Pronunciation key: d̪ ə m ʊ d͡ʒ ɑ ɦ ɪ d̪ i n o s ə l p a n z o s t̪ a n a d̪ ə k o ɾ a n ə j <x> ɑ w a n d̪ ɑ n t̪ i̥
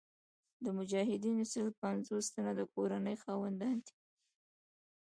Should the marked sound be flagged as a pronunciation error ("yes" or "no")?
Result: no